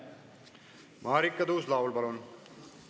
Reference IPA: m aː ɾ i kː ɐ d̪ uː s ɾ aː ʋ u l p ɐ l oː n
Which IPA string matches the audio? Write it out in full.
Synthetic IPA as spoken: m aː ɾ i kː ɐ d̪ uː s l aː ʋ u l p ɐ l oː n